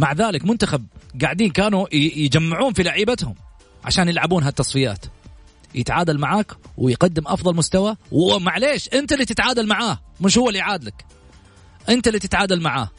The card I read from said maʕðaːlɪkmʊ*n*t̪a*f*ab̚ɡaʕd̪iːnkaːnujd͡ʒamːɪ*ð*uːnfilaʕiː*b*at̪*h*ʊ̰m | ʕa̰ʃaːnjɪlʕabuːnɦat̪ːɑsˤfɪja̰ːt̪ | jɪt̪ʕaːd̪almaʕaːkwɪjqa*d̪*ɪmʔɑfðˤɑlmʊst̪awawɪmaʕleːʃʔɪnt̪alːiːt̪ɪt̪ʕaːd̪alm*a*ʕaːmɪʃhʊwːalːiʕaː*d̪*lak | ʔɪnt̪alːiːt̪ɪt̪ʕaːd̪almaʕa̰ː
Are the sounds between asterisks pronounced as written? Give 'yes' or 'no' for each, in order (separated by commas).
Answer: yes, no, no, yes, yes, no, yes, yes